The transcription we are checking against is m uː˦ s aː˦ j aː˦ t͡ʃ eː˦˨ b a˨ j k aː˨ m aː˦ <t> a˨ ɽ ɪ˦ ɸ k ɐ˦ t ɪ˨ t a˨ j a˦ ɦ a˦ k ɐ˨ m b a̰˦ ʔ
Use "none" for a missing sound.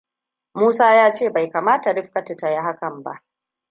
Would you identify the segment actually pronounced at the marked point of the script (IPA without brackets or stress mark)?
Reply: t